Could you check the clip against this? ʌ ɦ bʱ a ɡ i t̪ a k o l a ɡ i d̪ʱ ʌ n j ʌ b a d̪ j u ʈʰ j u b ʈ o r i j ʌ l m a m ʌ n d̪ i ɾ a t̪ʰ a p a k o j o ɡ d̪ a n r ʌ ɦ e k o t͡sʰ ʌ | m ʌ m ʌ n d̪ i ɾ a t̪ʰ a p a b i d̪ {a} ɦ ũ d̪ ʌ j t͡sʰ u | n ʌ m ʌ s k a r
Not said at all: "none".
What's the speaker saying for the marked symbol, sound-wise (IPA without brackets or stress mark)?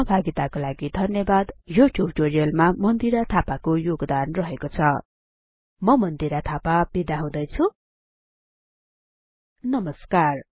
a